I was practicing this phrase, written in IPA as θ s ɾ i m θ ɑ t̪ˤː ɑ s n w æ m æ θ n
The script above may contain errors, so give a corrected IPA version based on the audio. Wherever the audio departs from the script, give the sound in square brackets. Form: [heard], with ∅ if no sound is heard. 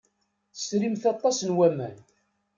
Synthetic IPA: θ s ɾ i m θ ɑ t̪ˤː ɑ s n w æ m æ [∅] n

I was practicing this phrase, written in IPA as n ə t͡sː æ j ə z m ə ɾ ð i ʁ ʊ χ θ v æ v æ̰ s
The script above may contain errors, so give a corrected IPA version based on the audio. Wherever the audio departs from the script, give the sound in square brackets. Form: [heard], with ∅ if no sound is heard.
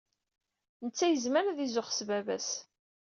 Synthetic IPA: n ə t͡sː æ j ə z m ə ɾ ð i [z] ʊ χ [s] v æ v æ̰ s

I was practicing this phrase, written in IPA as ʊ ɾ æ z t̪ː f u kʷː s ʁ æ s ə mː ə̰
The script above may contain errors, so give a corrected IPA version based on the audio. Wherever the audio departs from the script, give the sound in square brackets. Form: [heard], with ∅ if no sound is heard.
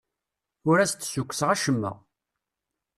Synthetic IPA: ʊ ɾ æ [s] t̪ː [s] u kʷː s ʁ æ [ʃ] ə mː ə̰

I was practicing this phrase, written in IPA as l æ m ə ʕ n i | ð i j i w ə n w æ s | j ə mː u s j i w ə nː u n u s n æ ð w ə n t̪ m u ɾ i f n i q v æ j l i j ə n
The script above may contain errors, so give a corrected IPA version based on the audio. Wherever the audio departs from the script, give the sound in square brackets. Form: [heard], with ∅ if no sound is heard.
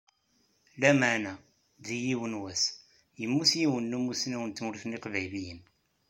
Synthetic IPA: l æ m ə ʕ n [æ] | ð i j i w ə n w æ s | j ə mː u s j i w ə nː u [m] u s n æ [∅] w ə n t̪ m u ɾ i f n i q v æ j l i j ə n

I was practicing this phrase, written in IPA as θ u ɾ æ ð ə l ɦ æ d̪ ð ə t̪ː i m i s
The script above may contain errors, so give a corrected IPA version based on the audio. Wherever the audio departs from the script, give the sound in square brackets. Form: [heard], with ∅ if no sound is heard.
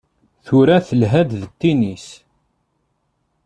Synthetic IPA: θ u ɾ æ [θ] ə l ɦ æ d̪ ð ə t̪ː i [n] i s

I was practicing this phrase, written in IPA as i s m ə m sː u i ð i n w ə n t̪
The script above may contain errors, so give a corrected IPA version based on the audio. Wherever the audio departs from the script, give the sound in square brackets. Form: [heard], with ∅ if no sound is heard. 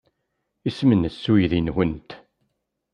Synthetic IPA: i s m ə [n] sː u [j] ð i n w ə n t̪

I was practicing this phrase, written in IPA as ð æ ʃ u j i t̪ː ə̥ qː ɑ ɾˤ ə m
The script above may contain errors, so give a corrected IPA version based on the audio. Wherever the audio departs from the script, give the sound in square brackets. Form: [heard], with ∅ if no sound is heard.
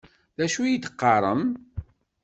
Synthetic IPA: ð æ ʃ u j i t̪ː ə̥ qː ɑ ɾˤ ə m

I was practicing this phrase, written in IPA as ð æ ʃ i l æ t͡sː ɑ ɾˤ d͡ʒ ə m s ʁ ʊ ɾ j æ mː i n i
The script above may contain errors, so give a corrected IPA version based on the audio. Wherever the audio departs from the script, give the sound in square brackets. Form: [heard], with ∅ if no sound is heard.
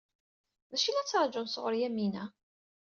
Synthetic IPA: ð æ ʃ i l æ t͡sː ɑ ɾˤ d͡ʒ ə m s ʁ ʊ ɾ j æ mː i n [æ]

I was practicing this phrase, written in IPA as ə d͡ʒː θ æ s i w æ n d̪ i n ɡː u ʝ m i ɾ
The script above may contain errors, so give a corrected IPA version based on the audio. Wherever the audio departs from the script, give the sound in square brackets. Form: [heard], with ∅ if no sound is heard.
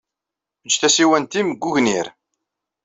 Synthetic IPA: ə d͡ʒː θ æ s i w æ n [t̪] i [m] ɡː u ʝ [n] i ɾ

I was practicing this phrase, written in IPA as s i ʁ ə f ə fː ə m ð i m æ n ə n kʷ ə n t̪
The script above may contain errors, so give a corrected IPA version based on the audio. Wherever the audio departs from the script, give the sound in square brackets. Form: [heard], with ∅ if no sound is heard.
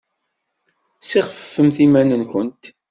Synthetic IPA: s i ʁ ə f ə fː ə m [θ] i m æ n ə n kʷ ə n t̪

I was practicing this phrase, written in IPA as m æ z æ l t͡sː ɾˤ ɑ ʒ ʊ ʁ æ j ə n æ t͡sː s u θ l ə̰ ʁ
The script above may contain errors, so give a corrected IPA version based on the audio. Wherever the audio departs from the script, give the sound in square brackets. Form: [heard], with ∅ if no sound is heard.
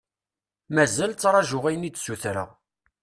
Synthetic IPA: m æ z æ l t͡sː ɾˤ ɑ ʒ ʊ ʁ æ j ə n [i] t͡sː s u θ [ɾ] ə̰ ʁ

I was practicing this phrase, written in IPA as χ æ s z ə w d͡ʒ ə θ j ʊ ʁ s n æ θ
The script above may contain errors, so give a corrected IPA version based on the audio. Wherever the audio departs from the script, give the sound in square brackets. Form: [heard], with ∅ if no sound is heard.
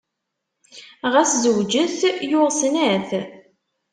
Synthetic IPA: [ʁ] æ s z ə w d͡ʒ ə θ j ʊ ʁ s n æ θ

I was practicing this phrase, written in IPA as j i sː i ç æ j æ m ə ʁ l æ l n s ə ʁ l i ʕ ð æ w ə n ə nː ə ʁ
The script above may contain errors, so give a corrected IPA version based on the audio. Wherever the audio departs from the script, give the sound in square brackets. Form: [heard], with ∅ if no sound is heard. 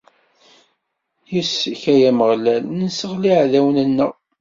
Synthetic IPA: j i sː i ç æ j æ m ə ʁ l æ l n s ə ʁ l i ʕ ð æ w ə n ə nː ə ʁ

